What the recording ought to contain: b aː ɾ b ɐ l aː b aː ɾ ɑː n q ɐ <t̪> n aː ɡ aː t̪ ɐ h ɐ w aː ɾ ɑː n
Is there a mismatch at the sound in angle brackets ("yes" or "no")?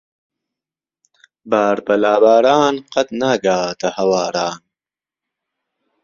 no